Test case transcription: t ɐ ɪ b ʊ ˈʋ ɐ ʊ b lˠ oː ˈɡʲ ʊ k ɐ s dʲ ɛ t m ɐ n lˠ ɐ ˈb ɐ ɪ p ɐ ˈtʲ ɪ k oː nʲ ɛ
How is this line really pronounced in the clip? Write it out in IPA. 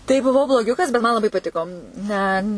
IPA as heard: t ɐ ɪ b ʊ ˈʋ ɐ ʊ b lˠ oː ˈɡʲ ʊ k ɐ s bʲ ɛ t m ɐ n lˠ ɐ ˈb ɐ ɪ p ɐ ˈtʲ ɪ k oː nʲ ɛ

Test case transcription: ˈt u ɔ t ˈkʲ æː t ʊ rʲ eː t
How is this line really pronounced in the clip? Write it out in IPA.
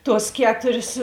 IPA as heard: ˈt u ɔ s ˈkʲ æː t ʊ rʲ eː s

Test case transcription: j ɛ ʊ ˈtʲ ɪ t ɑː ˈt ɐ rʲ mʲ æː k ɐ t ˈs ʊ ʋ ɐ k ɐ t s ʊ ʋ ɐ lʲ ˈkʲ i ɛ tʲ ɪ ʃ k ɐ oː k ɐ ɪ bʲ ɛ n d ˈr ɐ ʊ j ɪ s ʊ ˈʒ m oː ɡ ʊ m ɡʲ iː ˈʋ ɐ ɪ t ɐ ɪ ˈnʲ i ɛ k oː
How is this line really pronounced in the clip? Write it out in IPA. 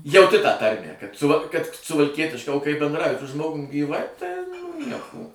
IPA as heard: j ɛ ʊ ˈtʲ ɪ t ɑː ˈt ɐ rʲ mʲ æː k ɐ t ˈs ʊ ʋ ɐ k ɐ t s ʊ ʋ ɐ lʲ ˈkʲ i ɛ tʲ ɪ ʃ k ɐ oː k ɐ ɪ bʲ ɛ n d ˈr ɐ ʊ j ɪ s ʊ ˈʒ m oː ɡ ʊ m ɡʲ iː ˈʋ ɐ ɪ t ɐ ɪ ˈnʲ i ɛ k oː

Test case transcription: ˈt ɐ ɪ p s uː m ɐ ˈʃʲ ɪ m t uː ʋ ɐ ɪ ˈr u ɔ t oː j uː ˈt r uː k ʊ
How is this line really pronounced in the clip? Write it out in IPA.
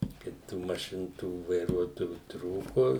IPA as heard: ˈk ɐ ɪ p t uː m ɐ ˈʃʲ ɪ n t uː ʋ ɐ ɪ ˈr u ɔ t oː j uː ˈt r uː k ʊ

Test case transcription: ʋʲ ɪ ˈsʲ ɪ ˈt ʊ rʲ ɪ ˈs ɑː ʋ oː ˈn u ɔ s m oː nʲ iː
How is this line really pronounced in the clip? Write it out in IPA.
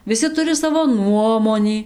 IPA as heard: ʋʲ ɪ ˈsʲ ɪ ˈt ʊ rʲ ɪ ˈs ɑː ʋ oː ˈn u ɔ m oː nʲ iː

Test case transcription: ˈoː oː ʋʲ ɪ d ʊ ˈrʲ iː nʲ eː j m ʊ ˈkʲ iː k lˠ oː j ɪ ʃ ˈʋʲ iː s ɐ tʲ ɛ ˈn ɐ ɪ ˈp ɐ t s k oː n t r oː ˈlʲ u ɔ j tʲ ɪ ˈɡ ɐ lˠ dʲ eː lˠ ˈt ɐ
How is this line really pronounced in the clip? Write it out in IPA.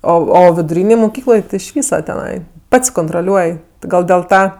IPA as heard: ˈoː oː ʋʲ ɪ d ʊ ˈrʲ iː nʲ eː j m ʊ ˈkʲ iː k lˠ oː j ɪ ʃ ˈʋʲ iː s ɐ tʲ ɛ ˈn ɐ ɪ ˈp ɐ t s k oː n t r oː ˈlʲ u ɔ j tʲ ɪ ˈɡ ɐ lˠ dʲ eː lˠ ˈt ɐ

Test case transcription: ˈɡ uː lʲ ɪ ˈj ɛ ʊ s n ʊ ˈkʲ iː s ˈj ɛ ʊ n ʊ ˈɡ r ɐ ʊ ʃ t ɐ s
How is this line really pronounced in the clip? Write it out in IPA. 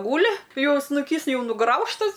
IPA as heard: ˈɡ uː lʲ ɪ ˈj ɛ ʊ s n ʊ ˈkʲ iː s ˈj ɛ ʊ n ʊ ˈɡ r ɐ ʊ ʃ t ɐ s

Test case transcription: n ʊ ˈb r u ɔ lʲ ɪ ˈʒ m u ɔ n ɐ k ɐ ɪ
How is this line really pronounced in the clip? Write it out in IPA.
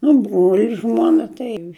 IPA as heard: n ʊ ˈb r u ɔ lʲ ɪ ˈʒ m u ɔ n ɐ t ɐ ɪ

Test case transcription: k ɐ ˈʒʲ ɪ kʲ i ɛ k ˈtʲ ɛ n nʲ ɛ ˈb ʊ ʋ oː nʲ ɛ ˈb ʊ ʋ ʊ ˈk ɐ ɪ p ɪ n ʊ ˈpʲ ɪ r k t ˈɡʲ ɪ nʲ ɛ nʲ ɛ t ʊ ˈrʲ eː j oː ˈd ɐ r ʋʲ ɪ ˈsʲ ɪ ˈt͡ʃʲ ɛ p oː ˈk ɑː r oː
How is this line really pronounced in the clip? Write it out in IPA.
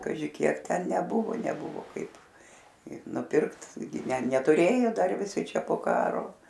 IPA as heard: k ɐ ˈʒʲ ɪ kʲ i ɛ k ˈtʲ ɛ n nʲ ɛ ˈb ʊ ʋ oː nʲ ɛ ˈb ʊ ʋ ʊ ˈk ɐ ɪ p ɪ n ʊ ˈpʲ ɪ r k t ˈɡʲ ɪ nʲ ɛ nʲ ɛ t ʊ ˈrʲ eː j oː ˈd ɐ r ʋʲ ɪ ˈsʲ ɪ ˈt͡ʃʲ ɛ p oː ˈk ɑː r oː

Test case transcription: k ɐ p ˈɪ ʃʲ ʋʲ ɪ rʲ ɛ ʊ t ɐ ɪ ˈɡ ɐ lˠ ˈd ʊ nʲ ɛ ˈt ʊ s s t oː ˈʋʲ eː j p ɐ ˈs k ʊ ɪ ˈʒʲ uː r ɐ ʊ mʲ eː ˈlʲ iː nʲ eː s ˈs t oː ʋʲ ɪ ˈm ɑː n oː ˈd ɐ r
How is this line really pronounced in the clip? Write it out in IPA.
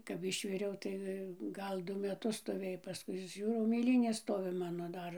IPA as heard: k ɐ p ˈɪ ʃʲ ʋʲ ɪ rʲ ɛ ʊ t ɐ ɪ ˈɡ ɐ lˠ ˈd ʊ mʲ ɛ ˈt ʊ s s t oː ˈʋʲ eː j p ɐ ˈs k ʊ ɪ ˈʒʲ uː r ɐ ʊ mʲ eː ˈlʲ iː nʲ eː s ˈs t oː ʋʲ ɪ ˈm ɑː n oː ˈd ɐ r

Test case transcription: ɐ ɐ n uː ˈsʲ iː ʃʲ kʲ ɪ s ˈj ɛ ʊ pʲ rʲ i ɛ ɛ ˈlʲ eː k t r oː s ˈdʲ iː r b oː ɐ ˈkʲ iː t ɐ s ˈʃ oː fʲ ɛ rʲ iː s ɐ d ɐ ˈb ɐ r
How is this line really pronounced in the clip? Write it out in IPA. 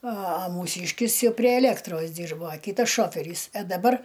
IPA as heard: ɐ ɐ m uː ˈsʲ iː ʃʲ kʲ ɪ s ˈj ɛ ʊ pʲ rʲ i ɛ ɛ ˈlʲ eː k t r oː s ˈdʲ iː r b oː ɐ ˈkʲ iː t ɐ s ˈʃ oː fʲ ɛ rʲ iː s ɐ d ɐ ˈb ɐ r

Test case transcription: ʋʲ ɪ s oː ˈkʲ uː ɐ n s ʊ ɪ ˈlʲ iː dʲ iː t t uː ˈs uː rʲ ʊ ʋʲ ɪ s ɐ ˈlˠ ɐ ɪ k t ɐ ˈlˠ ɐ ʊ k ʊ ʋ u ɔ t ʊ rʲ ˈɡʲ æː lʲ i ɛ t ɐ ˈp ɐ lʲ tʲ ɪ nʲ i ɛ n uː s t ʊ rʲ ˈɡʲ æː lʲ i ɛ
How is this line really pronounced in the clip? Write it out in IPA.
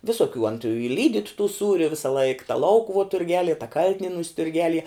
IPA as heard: ʋʲ ɪ s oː ˈkʲ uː ɐ n t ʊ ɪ ˈlʲ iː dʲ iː t t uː ˈs uː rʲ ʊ ʋʲ ɪ s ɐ ˈlˠ ɐ ɪ k t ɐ ˈlˠ ɐ ʊ k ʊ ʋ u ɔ t ʊ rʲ ˈɡʲ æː lʲ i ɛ t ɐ ˈk ɐ lʲ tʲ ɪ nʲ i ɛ n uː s t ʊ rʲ ˈɡʲ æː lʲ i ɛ

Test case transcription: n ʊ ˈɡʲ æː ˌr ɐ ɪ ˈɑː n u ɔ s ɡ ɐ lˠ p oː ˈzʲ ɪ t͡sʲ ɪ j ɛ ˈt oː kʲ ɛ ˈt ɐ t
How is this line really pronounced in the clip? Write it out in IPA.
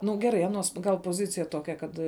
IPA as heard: n ʊ ˈɡʲ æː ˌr ɐ ɪ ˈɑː n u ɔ s ɡ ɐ lˠ p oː ˈzʲ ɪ t͡sʲ ɪ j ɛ ˈt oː kʲ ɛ ˈk ɐ t

